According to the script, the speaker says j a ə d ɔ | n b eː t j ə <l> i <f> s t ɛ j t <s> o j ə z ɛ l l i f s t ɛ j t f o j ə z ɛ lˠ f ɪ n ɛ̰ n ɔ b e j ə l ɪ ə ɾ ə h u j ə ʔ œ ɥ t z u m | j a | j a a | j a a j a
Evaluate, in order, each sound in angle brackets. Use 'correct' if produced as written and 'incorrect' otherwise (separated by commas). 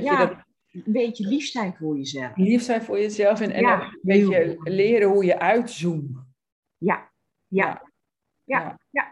correct, correct, incorrect